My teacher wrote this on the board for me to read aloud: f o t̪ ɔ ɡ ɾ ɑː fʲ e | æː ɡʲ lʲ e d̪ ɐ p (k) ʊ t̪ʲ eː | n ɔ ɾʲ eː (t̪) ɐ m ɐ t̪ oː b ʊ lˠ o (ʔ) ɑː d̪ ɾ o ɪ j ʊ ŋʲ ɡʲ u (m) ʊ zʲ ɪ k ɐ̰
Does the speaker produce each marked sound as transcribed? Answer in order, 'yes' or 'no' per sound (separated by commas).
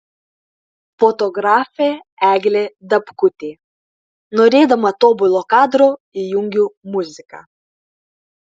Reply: yes, no, no, yes